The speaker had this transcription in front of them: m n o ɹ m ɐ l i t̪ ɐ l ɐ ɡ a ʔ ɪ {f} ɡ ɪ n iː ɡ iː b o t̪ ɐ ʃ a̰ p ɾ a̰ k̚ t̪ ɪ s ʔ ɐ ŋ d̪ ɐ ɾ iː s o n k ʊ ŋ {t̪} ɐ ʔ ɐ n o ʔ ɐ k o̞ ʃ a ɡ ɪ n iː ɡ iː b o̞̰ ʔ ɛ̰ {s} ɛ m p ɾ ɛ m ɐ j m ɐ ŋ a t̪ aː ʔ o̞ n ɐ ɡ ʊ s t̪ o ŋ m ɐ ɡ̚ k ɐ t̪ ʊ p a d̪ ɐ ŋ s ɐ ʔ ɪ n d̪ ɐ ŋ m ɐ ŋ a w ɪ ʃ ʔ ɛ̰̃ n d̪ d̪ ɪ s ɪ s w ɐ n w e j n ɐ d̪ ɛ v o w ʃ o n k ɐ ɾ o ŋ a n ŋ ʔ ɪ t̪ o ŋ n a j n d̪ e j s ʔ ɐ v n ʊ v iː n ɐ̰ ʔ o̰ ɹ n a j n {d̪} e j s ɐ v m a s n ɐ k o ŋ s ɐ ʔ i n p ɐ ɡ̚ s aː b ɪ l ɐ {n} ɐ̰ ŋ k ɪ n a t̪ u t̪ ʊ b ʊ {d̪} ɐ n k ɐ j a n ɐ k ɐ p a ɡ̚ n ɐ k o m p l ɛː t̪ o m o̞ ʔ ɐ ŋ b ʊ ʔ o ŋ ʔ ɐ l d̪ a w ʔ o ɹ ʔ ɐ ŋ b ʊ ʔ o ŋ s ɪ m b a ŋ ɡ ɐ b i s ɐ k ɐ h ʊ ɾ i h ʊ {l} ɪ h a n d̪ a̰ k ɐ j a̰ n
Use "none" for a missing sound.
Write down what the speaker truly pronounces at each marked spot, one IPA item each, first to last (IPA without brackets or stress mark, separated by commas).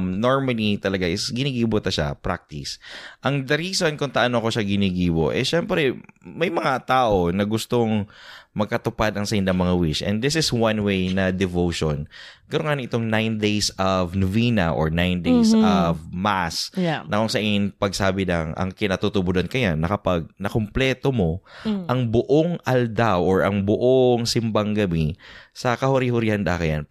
s, t̪, ʃ, d̪, ŋ, d̪, ɾ